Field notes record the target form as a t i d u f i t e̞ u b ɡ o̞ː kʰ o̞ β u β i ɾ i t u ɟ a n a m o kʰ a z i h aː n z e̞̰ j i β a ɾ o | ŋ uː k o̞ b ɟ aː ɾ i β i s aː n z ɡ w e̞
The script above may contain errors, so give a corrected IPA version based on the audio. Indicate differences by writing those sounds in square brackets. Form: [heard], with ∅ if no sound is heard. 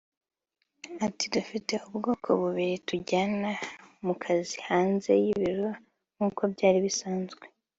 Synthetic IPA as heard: a t i d u f i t e̞ u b ɡ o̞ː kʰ o̞ β u β i ɾ i t u ɟ a n a m [u] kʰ a z i h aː n z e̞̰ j i β [i] ɾ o | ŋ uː k o̞ b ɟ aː ɾ i β i s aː n z ɡ w e̞